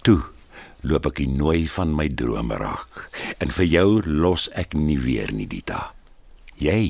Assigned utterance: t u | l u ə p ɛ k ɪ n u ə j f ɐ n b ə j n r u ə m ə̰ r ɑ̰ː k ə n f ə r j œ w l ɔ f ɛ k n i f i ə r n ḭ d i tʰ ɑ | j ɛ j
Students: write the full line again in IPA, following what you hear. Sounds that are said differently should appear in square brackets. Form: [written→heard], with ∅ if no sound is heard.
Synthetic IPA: t u | l u ə p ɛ k [ɪ→i] n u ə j f ɐ n [b→m] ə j [n→d] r u ə m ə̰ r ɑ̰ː k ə n f ə r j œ w l ɔ [f→s] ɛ k n i [f→v] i ə r n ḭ d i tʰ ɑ | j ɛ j